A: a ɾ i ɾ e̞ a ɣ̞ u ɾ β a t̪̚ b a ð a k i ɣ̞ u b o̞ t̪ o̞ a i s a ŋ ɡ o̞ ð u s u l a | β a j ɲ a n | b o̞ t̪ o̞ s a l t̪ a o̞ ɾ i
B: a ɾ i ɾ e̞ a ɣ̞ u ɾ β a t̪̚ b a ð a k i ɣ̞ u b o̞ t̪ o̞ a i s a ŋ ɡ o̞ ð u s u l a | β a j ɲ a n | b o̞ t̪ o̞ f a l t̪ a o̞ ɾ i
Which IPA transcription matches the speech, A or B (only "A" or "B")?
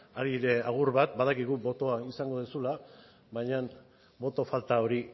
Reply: B